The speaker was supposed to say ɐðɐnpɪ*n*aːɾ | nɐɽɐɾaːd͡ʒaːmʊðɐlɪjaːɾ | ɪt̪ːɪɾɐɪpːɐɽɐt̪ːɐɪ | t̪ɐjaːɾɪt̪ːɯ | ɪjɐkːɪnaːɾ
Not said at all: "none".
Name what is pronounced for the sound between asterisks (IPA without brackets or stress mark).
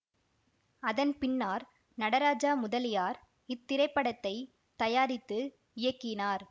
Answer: nː